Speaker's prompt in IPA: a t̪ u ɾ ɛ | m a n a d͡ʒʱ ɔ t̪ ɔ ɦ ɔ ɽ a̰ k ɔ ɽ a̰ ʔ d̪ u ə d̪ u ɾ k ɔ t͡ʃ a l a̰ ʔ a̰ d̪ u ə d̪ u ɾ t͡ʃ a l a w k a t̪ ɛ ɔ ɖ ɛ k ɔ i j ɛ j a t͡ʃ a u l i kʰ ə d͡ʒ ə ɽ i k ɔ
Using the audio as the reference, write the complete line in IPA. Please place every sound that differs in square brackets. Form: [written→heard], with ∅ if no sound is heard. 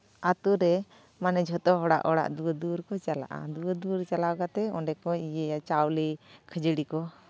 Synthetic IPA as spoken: a t̪ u ɾ ɛ | m a n [a→ɛ] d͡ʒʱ ɔ t̪ ɔ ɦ ɔ ɽ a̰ [k→ʔ] ɔ ɽ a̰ ʔ d̪ u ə d̪ u ɾ k ɔ t͡ʃ a l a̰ ʔ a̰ d̪ u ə d̪ u ɾ t͡ʃ a l a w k a t̪ ɛ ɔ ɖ ɛ k ɔ i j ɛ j a t͡ʃ a [u→w] l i kʰ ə d͡ʒ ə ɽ i k ɔ